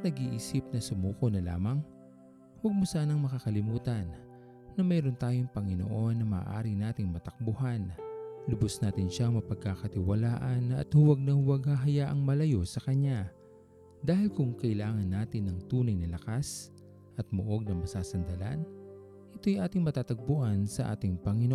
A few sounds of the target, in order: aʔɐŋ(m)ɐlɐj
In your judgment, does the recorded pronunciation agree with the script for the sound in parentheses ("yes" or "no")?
yes